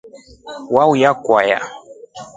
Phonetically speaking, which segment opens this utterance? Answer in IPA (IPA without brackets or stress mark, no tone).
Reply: w